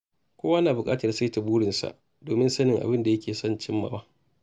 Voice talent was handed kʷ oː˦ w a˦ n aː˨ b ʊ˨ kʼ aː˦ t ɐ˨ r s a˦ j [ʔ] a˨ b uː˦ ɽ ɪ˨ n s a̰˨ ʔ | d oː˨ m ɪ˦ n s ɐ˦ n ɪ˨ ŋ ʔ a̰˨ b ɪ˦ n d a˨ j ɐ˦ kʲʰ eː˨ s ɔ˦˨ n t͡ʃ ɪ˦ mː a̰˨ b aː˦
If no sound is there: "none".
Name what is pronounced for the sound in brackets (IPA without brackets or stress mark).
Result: t